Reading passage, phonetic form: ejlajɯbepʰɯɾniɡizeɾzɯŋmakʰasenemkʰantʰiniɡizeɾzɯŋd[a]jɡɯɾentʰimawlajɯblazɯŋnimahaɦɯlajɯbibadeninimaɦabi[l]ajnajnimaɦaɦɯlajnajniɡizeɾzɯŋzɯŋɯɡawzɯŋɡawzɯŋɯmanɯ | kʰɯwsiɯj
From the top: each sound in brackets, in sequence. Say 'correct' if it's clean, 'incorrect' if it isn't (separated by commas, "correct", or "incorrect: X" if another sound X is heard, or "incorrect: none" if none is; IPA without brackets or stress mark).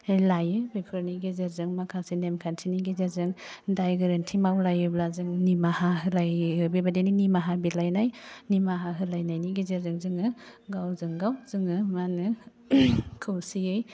correct, correct